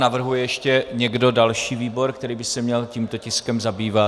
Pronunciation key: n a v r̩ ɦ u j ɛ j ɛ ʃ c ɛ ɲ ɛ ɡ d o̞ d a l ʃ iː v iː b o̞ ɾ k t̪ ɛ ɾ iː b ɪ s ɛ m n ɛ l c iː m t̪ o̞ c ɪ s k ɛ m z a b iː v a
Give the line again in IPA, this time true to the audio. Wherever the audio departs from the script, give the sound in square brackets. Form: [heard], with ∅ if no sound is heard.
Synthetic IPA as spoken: n a v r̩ ɦ u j ɛ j ɛ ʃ c ɛ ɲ ɛ ɡ d o̞ d a l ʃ iː v iː b o̞ ɾ k t̪ ɛ ɾ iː b ɪ s ɛ m [ɲ] ɛ l c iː m t̪ o̞ c ɪ s k ɛ m z a b iː v a